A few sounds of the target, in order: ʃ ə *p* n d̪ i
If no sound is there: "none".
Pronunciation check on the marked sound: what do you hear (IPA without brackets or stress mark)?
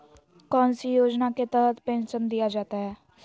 none